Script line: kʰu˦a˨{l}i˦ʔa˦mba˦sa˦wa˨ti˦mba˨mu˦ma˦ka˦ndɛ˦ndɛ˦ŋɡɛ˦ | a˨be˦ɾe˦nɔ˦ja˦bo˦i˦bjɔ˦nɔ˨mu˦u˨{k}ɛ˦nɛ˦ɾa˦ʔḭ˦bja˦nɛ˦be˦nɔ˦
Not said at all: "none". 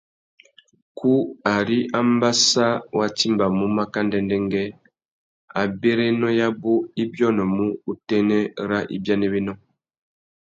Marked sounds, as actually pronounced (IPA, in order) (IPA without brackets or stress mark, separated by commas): ɾ, t